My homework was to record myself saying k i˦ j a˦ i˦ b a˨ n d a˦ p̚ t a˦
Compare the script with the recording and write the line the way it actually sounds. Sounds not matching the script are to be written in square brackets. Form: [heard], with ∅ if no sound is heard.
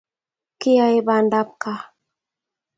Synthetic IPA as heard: k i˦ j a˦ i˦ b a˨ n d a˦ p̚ [k] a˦